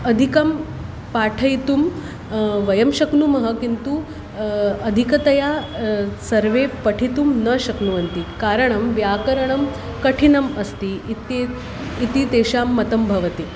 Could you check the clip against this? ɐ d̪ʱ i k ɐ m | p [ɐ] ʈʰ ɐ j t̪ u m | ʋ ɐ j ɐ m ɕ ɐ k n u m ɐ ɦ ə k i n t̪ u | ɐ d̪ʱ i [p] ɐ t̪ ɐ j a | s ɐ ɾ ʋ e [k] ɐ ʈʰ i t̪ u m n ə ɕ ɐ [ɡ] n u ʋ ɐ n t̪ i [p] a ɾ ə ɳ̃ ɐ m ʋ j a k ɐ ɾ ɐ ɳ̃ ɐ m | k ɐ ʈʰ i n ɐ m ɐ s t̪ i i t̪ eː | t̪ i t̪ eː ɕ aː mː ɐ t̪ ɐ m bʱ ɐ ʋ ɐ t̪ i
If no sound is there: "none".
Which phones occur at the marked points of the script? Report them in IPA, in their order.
a, k, p, k, k

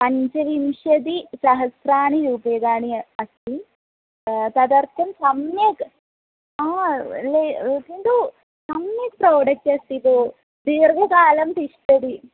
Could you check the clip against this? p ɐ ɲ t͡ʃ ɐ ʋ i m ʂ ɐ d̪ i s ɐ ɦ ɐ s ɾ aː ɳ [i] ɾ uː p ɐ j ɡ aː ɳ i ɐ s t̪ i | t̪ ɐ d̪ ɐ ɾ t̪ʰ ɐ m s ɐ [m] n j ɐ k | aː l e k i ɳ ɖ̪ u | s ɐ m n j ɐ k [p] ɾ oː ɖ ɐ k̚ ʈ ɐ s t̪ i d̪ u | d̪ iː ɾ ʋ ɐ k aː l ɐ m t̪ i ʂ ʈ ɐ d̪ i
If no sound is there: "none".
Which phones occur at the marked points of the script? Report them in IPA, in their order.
i, m, p

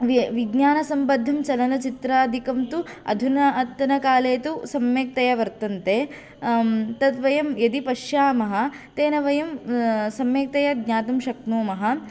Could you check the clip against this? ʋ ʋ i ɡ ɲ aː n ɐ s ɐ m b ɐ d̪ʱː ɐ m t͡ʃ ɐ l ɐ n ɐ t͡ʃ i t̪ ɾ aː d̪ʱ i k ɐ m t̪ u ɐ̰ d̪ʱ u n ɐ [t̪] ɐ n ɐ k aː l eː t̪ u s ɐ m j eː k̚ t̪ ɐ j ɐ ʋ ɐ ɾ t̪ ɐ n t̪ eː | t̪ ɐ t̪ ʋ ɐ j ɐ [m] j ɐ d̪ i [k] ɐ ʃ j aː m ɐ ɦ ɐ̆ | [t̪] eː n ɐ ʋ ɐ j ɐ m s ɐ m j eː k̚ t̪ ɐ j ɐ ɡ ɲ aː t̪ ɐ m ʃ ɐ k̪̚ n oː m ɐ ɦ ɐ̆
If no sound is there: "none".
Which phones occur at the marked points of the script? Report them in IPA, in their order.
t̪, m, p, t̪

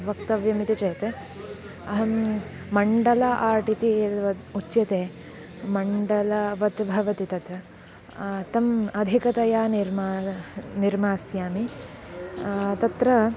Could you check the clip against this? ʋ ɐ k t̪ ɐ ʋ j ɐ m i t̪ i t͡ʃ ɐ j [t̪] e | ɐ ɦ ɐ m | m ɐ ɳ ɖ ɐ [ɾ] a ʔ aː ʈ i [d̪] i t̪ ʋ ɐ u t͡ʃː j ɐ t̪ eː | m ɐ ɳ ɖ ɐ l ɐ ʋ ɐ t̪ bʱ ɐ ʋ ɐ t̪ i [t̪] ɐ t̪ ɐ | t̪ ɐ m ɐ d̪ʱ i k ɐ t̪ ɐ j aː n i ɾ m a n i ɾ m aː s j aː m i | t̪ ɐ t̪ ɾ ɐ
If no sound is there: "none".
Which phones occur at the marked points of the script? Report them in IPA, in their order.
t̪, l, t̪, t̪

